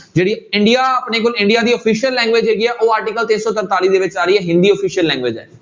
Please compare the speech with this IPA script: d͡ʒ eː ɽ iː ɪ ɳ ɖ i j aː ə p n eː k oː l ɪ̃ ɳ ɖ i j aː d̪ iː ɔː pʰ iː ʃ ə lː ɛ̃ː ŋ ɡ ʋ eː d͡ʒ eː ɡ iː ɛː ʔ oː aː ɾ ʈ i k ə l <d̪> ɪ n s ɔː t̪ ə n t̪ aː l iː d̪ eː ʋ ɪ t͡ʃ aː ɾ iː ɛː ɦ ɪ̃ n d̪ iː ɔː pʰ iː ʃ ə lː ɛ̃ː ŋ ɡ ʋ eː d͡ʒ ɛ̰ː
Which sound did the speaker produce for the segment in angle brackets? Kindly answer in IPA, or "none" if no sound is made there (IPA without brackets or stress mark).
t̪